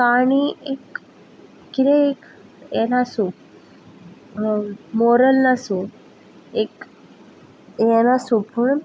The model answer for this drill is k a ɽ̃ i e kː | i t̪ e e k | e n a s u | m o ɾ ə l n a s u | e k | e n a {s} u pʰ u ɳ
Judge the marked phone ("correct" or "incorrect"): correct